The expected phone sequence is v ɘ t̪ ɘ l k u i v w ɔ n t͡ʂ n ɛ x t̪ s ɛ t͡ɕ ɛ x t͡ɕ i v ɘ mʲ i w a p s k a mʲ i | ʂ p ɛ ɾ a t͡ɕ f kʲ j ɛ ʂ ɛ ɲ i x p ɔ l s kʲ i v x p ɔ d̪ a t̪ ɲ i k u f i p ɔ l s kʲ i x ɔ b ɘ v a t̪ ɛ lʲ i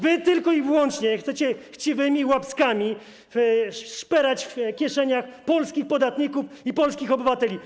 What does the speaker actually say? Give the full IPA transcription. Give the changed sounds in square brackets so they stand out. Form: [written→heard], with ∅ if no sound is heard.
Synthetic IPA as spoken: v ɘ t̪ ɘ l k [u→ɔ] i v w ɔ n t͡ʂ [n→ɲ] ɛ x t̪ s ɛ t͡ɕ ɛ x t͡ɕ i v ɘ mʲ i w a p s k a mʲ i | ʂ p ɛ ɾ a t͡ɕ f kʲ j ɛ ʂ ɛ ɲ [i→a] x p ɔ l s kʲ i [v→∅] x p ɔ d̪ a t̪ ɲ i k u f i p ɔ l s kʲ i x ɔ b ɘ v a t̪ ɛ lʲ i